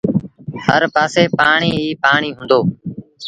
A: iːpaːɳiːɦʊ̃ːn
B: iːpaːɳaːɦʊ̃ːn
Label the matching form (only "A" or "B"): A